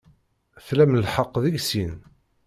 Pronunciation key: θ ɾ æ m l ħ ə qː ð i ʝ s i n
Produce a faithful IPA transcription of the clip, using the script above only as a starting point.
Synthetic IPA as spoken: θ l æ m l ħ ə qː ð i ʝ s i n